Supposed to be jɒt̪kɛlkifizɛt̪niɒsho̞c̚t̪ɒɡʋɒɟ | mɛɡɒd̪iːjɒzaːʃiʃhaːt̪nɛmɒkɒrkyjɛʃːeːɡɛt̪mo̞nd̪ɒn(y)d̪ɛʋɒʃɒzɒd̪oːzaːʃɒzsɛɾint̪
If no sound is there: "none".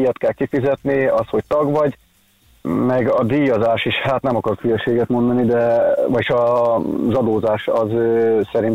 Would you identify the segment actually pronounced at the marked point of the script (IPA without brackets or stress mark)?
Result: i